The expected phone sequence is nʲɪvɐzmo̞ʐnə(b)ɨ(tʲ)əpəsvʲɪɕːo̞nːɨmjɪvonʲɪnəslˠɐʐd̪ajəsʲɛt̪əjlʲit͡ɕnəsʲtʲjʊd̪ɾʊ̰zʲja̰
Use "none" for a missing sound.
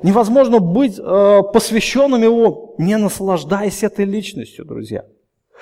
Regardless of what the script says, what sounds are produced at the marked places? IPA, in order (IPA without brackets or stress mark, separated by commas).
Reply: b, tʲ